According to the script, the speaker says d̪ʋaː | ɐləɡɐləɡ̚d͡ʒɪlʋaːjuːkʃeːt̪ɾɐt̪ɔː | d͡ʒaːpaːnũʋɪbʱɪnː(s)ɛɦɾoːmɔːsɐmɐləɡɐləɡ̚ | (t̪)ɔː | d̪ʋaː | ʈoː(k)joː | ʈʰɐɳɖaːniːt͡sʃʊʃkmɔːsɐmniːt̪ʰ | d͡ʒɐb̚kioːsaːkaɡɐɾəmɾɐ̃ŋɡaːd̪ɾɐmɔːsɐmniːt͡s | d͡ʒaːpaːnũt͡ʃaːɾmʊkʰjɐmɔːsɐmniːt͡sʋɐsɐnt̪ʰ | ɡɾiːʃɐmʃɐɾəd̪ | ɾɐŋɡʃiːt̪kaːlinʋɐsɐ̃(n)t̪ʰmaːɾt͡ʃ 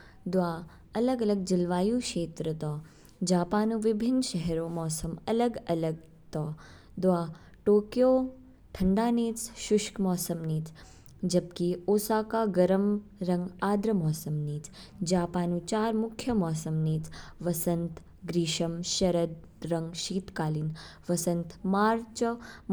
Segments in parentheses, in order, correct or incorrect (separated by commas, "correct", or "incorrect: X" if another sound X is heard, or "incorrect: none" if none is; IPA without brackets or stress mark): incorrect: ʃ, correct, correct, correct